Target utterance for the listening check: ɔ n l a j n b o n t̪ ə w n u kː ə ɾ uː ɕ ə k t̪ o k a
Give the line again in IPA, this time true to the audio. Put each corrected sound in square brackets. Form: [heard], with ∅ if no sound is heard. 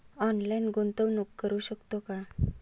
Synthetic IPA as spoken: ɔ n l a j n [ɡ] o n t̪ ə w n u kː ə ɾ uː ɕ ə k t̪ o k a

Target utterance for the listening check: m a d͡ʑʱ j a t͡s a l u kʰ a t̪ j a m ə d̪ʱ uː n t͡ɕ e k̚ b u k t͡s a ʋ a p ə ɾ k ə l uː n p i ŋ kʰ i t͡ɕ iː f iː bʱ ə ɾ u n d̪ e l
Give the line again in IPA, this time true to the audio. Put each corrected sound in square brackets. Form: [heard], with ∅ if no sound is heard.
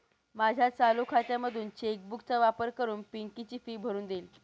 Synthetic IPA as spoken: m a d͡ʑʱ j a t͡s a l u kʰ a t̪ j a m ə d̪ʱ uː n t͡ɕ e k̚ b u k t͡s a ʋ a p ə ɾ k ə [ɾ] uː n p i ŋ [k] i t͡ɕ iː f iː bʱ ə ɾ [uː] n d̪ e l

